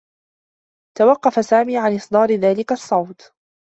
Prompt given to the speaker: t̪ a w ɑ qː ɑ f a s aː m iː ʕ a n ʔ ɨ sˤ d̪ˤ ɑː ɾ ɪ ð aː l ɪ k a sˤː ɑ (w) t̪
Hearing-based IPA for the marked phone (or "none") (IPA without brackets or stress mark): w